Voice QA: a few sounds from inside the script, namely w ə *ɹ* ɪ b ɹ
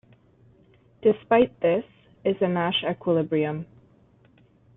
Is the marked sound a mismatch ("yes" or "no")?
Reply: yes